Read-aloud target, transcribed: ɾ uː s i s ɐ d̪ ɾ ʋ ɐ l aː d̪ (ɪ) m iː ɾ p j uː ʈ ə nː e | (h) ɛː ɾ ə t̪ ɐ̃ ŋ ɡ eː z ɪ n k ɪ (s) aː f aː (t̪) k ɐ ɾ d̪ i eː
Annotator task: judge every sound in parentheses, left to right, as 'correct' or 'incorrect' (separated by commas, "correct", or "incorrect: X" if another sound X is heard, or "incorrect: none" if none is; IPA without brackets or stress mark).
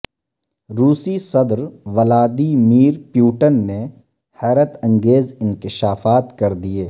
incorrect: i, correct, incorrect: ʃ, correct